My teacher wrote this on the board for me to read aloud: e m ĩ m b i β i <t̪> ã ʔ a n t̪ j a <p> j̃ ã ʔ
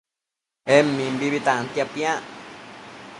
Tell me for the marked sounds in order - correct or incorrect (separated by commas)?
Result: correct, correct